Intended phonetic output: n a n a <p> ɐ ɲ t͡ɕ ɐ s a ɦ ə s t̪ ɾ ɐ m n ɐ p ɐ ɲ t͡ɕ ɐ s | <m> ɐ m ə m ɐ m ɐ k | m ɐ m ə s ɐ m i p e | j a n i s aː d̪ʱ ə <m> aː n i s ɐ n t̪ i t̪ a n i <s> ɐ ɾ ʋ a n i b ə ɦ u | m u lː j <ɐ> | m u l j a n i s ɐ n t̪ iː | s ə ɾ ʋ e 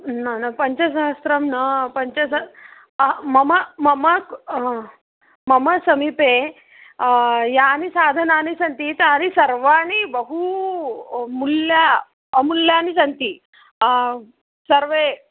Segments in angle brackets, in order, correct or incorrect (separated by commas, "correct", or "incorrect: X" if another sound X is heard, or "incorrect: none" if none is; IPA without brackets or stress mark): correct, correct, incorrect: n, correct, incorrect: a